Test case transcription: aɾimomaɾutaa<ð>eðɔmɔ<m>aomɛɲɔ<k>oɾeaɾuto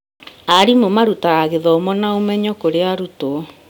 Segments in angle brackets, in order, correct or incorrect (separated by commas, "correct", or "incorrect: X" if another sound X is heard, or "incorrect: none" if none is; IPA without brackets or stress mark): incorrect: ɣ, incorrect: n, correct